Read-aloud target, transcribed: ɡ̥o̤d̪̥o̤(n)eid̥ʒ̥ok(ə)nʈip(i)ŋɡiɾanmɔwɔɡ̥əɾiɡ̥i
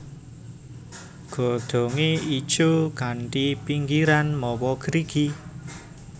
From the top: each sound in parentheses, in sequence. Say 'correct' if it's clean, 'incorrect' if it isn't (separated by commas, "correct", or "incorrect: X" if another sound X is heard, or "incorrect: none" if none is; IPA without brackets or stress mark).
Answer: incorrect: ŋ, incorrect: a, correct